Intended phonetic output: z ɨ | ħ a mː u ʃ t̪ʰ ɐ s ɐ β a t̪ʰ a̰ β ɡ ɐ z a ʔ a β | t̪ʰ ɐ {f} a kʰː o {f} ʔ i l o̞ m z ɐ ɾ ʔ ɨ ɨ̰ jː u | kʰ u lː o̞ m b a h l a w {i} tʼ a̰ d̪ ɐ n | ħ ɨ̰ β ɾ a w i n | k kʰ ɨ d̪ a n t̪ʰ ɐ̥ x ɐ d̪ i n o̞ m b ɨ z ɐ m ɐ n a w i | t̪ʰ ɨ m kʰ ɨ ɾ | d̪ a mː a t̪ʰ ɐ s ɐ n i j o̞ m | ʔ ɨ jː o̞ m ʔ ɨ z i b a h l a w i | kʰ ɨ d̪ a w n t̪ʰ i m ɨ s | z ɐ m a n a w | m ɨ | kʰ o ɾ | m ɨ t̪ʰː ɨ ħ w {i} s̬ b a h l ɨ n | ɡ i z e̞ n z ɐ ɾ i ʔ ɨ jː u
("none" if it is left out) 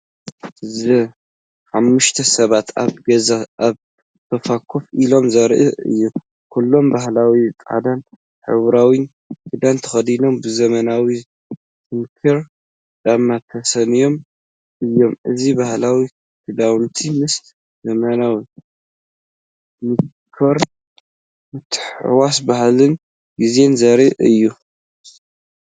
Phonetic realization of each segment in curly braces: f, f, i, a

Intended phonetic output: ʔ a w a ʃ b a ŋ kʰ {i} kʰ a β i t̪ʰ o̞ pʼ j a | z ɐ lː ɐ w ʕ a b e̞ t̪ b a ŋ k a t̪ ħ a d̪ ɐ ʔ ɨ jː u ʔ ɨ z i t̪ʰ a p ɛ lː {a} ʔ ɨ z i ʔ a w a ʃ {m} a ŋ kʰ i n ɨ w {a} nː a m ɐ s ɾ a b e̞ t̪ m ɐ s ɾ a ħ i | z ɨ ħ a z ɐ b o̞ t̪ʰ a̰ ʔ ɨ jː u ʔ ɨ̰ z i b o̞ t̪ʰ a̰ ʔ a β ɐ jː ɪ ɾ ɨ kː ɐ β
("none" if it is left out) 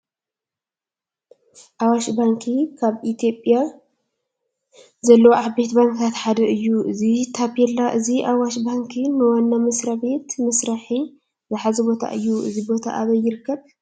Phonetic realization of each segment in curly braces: i, a, b, a

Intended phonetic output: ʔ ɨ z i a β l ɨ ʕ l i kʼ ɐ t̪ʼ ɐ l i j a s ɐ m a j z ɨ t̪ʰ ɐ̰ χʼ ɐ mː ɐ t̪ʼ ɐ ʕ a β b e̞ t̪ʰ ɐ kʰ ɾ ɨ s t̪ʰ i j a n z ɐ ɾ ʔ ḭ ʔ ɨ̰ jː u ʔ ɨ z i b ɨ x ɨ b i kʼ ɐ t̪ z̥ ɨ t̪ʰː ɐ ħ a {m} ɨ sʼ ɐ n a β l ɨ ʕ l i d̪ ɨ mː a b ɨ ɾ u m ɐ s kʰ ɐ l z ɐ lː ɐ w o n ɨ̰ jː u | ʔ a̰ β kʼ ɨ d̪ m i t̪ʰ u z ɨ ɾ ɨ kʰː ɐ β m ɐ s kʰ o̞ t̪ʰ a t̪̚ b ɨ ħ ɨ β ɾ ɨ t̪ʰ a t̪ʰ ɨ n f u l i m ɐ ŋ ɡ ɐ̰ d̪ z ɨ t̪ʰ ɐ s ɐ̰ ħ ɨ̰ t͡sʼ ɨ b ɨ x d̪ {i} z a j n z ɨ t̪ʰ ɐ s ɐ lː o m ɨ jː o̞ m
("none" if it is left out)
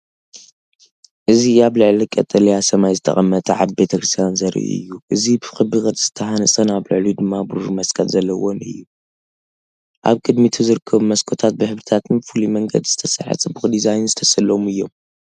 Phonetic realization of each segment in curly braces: n, i

